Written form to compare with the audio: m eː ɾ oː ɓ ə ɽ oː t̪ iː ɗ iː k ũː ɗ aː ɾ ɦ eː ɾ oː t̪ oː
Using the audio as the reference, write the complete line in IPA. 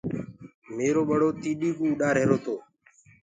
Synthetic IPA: m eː ɾ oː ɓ ə ɽ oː t̪ iː ɗ iː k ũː ɗ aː ɾ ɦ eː ɾ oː t̪ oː

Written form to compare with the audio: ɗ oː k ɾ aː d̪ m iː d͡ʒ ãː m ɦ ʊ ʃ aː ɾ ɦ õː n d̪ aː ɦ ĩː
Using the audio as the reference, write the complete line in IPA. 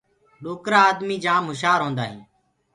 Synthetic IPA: ɗ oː k ɾ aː d̪ m iː d͡ʒ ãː m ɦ ʊ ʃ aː ɾ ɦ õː n d̪ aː ɦ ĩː

